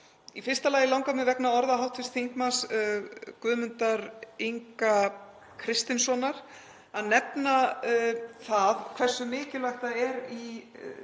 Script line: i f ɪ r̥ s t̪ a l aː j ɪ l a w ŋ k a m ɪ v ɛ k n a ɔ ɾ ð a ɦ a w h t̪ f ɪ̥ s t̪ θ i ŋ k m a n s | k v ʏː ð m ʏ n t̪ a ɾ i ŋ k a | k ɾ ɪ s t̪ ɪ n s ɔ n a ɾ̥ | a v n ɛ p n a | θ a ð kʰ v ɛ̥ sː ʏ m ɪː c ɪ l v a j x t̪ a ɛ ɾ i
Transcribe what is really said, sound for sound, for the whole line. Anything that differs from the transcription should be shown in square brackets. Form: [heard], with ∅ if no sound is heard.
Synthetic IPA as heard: i f ɪ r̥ s t̪ a l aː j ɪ l a w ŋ k a m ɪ v ɛ k n a ɔ ɾ ð a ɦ a w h t̪ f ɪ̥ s t̪ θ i ŋ k m a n s | k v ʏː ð m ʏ n t̪ a ɾ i ŋ k a | [kʰ] ɾ ɪ s t̪ ɪ n s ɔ n a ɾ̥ | a [ð] n ɛ p n a | θ a ð kʰ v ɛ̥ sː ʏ m ɪː c ɪ l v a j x t̪ a ɛ ɾ i